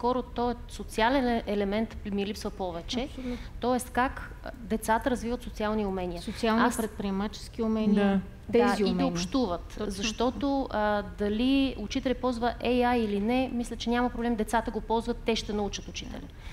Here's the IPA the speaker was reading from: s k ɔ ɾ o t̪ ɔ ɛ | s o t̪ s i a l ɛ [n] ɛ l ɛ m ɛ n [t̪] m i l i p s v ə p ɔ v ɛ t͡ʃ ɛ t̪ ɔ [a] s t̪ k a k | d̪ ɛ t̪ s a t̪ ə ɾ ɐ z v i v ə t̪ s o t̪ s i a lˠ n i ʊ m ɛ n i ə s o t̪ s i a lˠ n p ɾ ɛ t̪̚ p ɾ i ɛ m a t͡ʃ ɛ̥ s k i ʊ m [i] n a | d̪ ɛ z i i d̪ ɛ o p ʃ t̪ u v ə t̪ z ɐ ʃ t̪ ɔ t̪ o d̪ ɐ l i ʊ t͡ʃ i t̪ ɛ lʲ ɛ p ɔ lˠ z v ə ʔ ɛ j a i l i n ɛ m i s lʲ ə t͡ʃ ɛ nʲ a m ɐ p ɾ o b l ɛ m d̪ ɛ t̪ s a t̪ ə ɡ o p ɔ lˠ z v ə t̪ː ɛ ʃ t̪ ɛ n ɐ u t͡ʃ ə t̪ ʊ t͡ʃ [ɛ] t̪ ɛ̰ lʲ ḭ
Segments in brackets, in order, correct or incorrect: correct, correct, incorrect: ɛ, incorrect: ɛ, incorrect: i

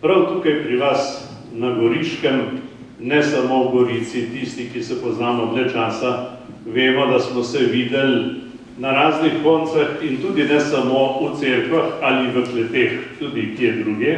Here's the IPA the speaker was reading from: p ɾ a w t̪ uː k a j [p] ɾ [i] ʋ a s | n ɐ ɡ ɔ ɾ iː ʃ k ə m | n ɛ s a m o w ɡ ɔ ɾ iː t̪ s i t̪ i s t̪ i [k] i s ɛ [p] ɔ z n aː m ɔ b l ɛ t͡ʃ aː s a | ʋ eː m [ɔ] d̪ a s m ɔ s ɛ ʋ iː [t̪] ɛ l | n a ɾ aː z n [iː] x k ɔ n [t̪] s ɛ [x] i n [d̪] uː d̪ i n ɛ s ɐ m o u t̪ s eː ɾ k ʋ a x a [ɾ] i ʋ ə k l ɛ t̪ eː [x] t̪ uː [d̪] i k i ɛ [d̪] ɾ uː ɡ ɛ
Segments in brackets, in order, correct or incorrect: correct, correct, correct, correct, correct, incorrect: d̪, incorrect: i, correct, correct, incorrect: t̪, incorrect: l, correct, correct, correct

